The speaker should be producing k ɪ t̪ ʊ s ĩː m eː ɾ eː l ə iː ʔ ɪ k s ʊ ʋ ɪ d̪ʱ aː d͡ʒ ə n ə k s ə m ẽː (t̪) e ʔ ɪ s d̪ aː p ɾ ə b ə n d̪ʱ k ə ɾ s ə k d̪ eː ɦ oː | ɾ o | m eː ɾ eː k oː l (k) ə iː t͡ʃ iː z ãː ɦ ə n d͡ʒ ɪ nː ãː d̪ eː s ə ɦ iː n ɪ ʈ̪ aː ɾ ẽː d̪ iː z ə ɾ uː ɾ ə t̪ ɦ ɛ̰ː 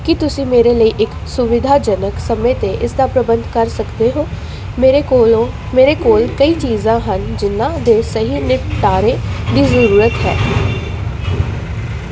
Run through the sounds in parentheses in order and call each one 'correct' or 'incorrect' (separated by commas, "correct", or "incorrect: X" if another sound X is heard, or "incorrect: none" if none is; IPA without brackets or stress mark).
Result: correct, correct